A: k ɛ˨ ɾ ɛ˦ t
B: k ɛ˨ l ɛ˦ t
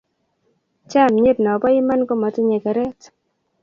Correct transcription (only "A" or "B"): A